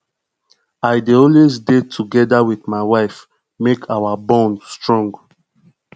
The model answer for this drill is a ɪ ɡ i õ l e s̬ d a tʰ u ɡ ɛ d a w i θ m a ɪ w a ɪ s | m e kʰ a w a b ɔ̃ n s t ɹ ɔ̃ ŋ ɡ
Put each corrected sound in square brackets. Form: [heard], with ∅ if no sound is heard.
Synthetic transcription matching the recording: a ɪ [d] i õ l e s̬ d [e] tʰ u ɡ ɛ d a w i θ m a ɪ w a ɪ [f] | m e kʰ a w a b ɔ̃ n s t ɹ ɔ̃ ŋ ɡ